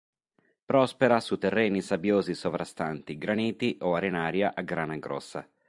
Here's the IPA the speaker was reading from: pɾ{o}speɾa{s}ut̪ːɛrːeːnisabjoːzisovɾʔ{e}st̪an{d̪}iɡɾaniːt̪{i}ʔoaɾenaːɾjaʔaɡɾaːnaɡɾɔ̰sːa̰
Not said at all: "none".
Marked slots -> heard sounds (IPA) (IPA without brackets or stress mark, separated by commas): ɔ, s, a, t̪, i